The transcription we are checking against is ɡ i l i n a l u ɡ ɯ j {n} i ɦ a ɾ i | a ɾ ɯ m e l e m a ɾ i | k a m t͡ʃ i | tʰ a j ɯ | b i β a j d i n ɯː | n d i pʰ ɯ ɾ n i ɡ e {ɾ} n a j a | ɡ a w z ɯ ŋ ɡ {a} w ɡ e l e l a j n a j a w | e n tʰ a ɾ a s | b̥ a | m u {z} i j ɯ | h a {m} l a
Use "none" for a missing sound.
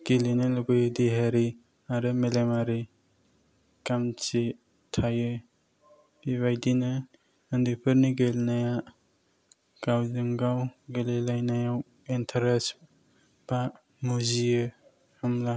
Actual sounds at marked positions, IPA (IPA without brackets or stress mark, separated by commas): d, l, a, z, m